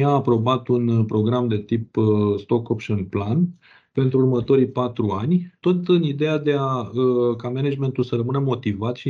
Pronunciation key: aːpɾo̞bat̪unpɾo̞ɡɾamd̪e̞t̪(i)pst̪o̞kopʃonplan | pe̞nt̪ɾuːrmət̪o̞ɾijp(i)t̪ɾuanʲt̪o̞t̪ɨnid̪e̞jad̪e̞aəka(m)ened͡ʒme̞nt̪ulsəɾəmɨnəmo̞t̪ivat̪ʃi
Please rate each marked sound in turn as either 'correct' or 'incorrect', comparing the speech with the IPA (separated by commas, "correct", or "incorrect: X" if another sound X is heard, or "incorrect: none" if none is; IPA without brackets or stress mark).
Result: correct, incorrect: a, correct